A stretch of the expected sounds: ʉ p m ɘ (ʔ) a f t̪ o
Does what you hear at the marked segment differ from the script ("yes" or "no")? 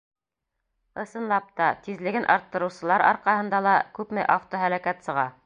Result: no